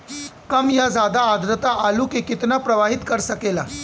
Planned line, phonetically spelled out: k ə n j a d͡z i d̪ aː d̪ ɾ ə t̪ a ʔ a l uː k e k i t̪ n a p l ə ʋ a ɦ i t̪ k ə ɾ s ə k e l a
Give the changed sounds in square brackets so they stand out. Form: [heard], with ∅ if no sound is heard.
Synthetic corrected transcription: k ə [m] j a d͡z [a] d̪ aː d̪ ɾ ə t̪ a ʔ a l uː k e k i t̪ n a p [ɾ] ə ʋ a ɦ i t̪ k ə ɾ s ə k e l a